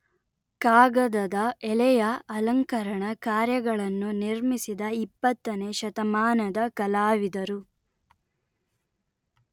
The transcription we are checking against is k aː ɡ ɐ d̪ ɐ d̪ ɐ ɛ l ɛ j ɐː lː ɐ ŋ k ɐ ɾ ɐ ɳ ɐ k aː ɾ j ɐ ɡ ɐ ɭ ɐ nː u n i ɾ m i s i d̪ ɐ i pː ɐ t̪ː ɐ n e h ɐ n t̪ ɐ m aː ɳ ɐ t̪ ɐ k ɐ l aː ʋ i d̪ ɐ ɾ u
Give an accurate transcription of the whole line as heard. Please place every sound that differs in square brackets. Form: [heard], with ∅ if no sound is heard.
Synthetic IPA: k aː ɡ ɐ d̪ ɐ d̪ ɐ ɛ l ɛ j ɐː [l] ɐ ŋ k ɐ ɾ ɐ ɳ ɐ k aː ɾ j ɐ ɡ ɐ ɭ ɐ nː u n i ɾ m i s i d̪ ɐ i pː ɐ t̪ː ɐ n e [ʃ] ɐ [∅] t̪ ɐ m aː [n] ɐ [d̪] ɐ k ɐ l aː ʋ i d̪ ɐ ɾ u